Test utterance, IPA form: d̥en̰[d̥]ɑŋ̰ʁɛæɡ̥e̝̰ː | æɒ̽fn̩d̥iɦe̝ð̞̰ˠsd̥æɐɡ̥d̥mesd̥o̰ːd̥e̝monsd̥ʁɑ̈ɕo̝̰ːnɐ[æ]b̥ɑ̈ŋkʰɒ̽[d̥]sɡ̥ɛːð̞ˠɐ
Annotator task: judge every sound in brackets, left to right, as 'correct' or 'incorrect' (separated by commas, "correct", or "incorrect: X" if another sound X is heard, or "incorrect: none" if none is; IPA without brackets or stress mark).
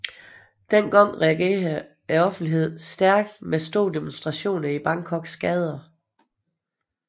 incorrect: ɡ̥, incorrect: i, incorrect: ɡ̥